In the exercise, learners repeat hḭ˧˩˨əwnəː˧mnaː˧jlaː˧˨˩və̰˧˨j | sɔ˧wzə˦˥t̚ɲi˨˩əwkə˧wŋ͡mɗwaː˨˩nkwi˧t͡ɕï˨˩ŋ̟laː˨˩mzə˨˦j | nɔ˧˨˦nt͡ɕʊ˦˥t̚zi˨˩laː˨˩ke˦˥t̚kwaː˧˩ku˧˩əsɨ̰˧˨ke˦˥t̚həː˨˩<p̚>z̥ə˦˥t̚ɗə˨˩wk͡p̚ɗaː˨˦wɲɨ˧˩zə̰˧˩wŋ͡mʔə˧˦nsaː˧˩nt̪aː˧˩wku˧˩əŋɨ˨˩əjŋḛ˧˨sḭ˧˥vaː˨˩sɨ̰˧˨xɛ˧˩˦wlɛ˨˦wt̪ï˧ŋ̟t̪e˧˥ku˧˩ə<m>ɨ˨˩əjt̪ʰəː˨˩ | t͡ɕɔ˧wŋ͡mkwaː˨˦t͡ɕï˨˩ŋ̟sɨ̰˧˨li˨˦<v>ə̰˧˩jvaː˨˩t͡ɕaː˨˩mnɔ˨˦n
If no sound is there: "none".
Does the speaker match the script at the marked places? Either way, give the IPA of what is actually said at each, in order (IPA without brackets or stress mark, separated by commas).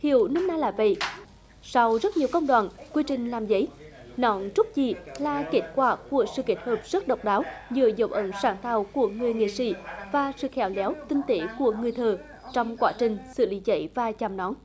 p̚, ŋ, z